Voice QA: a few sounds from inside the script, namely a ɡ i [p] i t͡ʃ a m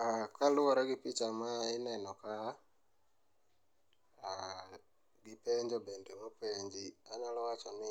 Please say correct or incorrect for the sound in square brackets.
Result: correct